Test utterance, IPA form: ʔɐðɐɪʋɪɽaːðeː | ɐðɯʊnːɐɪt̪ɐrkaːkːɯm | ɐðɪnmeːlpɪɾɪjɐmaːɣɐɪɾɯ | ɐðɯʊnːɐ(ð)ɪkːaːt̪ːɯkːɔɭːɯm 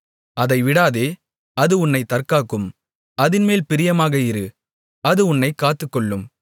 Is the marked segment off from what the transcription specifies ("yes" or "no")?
yes